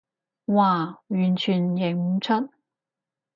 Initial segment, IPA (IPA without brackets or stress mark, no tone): w